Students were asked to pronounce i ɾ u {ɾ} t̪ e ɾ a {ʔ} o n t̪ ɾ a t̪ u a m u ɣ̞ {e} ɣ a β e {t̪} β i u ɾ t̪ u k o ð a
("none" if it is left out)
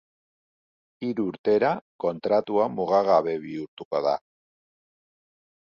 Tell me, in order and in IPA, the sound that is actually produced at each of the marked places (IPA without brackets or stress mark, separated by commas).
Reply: ɾ, k, a, none